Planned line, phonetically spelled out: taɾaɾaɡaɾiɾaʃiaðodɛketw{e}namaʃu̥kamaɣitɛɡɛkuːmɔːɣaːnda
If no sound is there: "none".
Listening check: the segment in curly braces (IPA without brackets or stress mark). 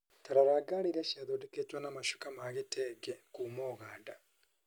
a